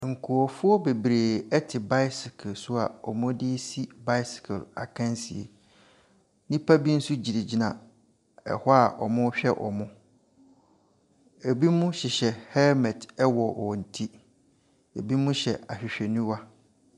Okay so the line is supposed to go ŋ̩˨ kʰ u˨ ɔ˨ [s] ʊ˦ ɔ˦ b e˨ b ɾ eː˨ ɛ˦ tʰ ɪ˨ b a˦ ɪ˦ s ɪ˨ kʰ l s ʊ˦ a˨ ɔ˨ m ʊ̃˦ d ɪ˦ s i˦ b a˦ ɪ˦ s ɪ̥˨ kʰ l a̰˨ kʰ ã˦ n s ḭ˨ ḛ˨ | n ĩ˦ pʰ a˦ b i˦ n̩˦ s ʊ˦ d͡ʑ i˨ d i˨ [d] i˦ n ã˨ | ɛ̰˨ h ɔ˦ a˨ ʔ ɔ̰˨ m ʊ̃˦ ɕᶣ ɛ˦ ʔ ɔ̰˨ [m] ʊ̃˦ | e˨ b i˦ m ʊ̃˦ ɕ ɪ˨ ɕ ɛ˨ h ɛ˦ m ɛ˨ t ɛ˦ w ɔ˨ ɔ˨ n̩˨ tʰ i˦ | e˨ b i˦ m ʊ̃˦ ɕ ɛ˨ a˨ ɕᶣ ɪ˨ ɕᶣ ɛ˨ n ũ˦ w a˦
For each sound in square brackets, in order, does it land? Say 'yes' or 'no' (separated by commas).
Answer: no, no, yes